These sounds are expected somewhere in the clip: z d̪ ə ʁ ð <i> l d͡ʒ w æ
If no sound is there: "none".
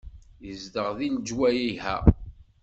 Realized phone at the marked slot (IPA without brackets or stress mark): i